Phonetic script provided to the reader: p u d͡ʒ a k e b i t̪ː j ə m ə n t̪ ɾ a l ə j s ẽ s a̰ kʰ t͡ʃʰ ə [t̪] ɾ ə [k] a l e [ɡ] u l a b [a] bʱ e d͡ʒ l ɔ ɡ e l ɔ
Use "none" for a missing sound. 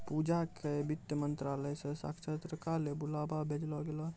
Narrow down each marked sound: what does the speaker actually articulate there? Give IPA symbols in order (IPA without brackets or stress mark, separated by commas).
t̪, k, b, a